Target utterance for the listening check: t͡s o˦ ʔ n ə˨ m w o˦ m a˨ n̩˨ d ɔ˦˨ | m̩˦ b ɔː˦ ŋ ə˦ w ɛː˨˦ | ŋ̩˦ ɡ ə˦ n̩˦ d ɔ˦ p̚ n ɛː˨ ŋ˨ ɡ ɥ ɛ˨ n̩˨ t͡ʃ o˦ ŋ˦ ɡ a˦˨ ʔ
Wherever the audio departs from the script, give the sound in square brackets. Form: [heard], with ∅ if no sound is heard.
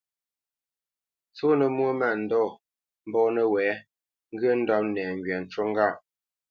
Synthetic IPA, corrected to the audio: t͡s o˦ [∅] n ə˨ m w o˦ m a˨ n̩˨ d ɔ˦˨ | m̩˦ b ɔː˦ [n] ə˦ w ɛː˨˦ | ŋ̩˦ ɡ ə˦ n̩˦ d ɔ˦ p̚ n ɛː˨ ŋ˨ ɡ ɥ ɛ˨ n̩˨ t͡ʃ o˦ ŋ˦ ɡ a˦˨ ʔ